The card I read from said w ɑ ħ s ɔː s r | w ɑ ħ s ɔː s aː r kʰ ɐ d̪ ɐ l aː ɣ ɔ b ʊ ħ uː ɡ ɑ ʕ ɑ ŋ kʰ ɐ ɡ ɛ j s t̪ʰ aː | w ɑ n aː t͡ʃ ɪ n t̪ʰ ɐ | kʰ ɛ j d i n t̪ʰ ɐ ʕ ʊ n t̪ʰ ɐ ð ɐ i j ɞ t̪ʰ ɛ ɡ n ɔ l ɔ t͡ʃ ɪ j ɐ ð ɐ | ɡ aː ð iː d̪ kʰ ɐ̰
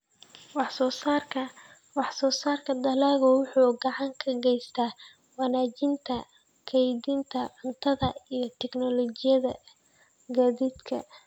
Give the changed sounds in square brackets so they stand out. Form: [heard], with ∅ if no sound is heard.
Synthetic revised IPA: w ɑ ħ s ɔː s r | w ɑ ħ s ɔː s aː r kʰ ɐ d̪ ɐ l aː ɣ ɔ [w] ʊ ħ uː ɡ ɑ ʕ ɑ ŋ kʰ ɐ ɡ ɛ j s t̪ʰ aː | w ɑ n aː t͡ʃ ɪ n t̪ʰ ɐ | kʰ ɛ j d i n t̪ʰ ɐ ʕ ʊ n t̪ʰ ɐ ð ɐ i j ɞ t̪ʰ ɛ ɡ n ɔ l ɔ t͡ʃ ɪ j ɐ ð ɐ | ɡ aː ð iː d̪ kʰ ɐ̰